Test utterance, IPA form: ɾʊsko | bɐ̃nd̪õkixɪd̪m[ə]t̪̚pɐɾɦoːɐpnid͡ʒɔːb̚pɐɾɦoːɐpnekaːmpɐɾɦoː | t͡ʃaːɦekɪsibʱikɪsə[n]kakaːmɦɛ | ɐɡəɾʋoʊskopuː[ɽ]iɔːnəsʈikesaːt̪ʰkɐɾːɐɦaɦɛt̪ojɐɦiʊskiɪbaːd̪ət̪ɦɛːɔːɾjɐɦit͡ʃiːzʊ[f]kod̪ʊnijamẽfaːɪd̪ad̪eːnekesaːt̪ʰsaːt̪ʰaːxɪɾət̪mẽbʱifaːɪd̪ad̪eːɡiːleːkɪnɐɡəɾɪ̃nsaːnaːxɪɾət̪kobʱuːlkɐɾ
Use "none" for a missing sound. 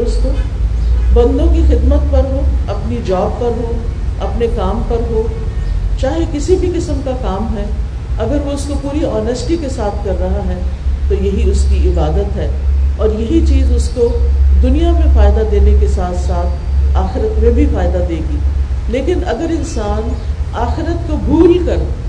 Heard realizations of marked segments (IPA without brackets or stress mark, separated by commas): ə, m, ɾ, s